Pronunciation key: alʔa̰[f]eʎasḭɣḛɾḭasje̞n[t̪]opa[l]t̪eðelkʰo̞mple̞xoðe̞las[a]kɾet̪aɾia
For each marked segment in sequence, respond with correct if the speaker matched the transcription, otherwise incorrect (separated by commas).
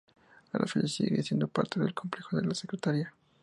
correct, incorrect, incorrect, incorrect